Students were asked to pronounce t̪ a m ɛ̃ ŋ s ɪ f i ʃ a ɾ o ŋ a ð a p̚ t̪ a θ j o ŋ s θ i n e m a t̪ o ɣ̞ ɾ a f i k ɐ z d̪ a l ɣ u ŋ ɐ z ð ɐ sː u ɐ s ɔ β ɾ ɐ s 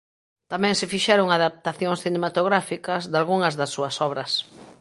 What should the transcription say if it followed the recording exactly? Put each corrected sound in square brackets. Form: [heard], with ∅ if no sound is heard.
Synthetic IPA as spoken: t̪ a m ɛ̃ ŋ s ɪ f i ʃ [ɛ] ɾ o ŋ a ð a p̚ t̪ a θ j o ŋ s θ i n e m a t̪ o ɣ̞ ɾ a f i k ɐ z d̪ a l ɣ u ŋ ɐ z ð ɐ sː u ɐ s ɔ β ɾ ɐ s